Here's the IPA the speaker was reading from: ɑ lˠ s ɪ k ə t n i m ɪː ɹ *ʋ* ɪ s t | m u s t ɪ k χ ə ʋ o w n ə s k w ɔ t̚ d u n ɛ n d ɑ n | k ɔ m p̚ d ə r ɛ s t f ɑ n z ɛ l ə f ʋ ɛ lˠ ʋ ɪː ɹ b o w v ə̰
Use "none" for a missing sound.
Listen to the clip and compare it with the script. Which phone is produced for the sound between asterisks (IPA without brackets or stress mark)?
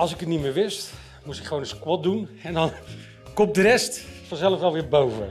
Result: ʋ